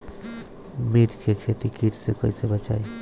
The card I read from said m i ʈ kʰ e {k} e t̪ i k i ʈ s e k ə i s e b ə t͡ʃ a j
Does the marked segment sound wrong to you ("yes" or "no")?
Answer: yes